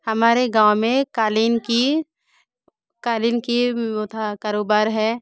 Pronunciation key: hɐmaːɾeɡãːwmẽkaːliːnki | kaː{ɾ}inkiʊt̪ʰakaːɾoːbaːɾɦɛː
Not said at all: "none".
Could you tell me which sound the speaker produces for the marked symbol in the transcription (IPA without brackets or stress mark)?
l